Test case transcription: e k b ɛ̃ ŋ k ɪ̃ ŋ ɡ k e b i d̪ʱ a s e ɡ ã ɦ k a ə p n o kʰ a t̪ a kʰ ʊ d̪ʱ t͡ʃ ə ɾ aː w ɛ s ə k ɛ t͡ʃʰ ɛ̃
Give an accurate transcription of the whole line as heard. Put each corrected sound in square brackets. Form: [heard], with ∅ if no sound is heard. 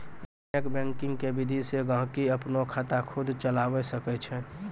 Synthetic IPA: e k b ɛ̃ ŋ k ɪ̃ ŋ ɡ k e b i d̪ʱ [i] s e ɡ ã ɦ k [i] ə p n o kʰ a t̪ a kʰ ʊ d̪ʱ t͡ʃ ə [l] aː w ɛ s ə k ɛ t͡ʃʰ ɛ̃